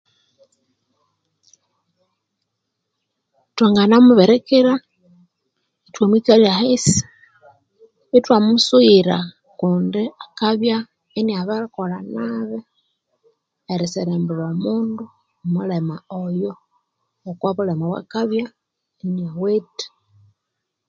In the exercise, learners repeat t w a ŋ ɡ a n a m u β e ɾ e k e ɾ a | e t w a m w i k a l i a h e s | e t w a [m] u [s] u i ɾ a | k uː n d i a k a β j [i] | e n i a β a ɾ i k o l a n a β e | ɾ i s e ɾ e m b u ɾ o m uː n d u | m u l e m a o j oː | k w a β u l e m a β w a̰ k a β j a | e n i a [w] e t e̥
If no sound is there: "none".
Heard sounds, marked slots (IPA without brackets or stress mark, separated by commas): m, s, a, w